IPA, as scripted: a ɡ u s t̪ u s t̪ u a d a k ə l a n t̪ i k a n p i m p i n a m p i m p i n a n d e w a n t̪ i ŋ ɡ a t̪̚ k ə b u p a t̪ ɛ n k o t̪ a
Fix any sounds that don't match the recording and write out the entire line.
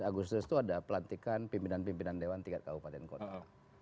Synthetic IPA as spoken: a ɡ u s t̪ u s t̪ u a d a p ə l a n t̪ i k a n p i m p i n a n p i m p i n a n d e w a n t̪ i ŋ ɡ a t̪̚ k a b u p a t̪ ɛ n k o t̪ a